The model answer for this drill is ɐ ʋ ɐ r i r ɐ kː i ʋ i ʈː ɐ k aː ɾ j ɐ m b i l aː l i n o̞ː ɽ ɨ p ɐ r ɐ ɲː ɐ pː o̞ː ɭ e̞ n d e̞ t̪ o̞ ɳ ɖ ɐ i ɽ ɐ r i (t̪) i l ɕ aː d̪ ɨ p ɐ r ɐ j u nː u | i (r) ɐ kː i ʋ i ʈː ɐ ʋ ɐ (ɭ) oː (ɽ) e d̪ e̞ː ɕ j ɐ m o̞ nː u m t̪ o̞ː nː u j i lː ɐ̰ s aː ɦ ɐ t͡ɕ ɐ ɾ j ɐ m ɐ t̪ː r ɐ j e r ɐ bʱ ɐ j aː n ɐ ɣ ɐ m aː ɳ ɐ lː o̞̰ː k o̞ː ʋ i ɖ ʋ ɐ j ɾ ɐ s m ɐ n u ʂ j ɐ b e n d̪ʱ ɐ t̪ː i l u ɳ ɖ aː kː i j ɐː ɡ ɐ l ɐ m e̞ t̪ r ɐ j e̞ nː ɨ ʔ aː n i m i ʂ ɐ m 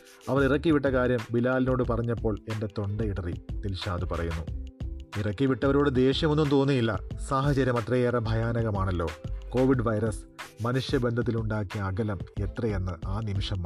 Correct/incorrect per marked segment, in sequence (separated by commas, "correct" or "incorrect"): correct, correct, incorrect, correct